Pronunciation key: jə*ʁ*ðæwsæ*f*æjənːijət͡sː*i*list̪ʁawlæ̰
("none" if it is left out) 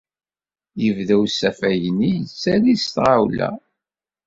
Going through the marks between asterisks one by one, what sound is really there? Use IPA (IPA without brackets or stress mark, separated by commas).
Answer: v, f, æ